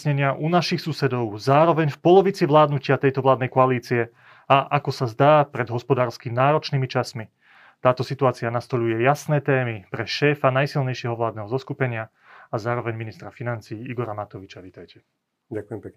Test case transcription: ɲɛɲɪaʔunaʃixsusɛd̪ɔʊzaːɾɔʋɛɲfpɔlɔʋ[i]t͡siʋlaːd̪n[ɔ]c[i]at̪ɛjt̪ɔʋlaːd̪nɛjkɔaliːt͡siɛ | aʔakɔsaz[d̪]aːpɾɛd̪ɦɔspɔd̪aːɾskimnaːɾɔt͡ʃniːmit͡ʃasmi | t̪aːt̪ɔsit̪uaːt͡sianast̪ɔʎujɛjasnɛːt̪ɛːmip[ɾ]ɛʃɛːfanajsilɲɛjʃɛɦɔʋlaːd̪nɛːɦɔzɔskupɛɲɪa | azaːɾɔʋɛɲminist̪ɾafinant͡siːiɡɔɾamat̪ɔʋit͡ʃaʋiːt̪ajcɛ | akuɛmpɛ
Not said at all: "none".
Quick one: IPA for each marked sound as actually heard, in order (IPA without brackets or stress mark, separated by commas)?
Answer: i, u, ɪ, d̪, ɾ